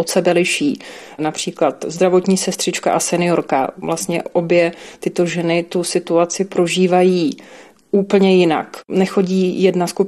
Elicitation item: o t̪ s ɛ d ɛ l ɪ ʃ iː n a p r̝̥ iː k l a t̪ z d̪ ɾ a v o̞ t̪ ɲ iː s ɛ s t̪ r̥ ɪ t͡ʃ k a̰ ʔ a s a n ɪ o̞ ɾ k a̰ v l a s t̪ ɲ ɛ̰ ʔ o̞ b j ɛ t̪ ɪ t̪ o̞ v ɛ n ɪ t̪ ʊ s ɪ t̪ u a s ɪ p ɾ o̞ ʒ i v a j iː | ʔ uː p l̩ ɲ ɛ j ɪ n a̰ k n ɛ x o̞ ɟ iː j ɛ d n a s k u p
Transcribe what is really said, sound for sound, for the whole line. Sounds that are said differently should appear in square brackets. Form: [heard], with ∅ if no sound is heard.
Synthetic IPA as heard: o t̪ s ɛ [b] ɛ l ɪ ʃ iː n a p r̝̥ iː k l a t̪ z d̪ ɾ a v o̞ t̪ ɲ iː s ɛ s t̪ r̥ ɪ t͡ʃ k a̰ ʔ a s [ɛ] n ɪ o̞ ɾ k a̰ v l a s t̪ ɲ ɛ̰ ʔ o̞ b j ɛ t̪ ɪ t̪ o̞ [ʒ] ɛ n ɪ t̪ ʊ s ɪ t̪ u a [t͡s] ɪ p ɾ o̞ ʒ [iː] v a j iː | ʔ uː p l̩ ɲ ɛ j ɪ n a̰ k n ɛ x o̞ ɟ iː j ɛ d n a s k u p